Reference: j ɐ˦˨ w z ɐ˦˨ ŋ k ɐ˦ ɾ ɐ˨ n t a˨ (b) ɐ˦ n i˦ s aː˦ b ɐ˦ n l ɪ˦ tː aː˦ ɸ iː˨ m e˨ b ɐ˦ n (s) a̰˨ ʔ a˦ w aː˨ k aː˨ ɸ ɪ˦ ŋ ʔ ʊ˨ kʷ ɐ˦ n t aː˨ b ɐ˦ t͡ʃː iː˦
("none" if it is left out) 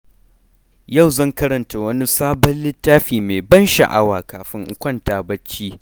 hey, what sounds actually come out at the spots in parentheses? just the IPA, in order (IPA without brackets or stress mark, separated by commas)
w, ʃ